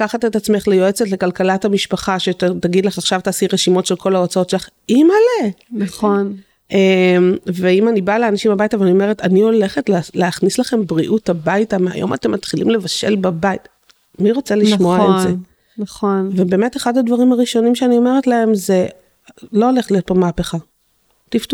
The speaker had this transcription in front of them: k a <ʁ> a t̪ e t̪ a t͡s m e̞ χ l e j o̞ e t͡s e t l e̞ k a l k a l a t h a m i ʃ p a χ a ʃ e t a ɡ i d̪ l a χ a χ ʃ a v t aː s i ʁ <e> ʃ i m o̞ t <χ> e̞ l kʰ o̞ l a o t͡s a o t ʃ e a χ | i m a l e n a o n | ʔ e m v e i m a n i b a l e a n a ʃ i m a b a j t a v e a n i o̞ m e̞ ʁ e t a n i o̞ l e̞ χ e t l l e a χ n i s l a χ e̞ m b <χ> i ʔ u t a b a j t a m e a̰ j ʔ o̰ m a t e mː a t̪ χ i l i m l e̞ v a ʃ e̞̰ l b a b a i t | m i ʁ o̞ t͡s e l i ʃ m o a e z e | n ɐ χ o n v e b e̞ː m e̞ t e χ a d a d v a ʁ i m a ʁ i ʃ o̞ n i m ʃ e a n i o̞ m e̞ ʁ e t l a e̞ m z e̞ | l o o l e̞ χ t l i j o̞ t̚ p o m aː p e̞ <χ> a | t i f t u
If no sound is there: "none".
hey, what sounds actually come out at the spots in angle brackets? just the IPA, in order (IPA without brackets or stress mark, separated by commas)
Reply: χ, e, ʃ, ʁ, χ